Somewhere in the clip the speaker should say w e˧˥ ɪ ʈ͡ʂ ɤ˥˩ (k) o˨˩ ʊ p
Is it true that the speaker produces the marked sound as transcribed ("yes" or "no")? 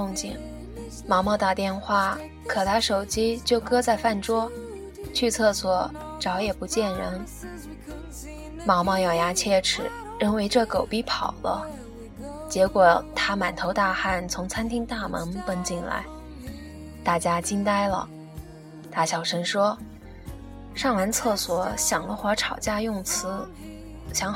yes